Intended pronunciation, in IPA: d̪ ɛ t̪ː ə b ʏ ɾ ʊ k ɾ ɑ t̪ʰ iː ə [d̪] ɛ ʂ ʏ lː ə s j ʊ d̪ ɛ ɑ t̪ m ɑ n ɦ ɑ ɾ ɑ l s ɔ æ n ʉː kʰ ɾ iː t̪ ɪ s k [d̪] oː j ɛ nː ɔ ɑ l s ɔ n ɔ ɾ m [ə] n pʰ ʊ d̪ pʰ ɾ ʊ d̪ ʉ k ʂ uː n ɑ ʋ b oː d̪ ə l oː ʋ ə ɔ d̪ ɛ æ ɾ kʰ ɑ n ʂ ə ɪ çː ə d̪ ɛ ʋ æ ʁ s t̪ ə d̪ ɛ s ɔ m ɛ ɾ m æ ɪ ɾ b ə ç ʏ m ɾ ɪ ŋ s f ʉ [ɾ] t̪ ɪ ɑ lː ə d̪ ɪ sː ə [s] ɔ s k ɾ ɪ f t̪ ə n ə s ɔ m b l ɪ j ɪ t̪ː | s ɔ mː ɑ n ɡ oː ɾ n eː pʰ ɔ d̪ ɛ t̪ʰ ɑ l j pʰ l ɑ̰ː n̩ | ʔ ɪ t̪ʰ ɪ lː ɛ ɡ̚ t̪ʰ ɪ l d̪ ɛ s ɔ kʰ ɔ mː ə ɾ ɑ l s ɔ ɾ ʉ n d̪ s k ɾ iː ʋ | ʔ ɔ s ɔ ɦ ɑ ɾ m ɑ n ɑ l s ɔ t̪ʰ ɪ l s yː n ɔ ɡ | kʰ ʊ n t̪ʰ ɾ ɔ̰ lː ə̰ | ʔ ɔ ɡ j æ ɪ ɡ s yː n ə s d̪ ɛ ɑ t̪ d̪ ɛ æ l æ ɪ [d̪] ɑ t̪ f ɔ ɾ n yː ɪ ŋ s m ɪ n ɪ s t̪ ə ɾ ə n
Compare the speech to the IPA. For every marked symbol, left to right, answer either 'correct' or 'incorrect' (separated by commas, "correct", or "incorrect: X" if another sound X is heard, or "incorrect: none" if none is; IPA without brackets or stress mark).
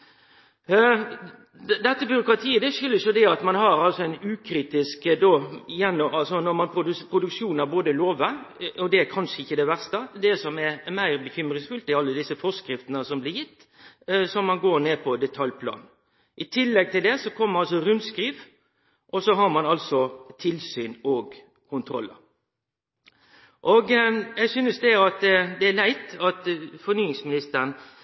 correct, correct, incorrect: ɑ, incorrect: l, incorrect: f, incorrect: t̪